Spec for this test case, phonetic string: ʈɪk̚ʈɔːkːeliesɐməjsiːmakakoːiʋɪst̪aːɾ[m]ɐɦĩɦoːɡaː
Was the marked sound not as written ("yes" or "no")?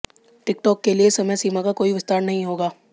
yes